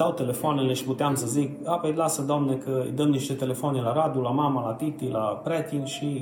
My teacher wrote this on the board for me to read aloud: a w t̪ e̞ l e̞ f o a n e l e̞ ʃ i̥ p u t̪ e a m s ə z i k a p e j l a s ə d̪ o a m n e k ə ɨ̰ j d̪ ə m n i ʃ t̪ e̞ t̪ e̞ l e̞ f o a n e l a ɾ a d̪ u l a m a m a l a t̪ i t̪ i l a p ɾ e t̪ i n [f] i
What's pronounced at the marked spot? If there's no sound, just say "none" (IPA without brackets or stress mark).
ʃ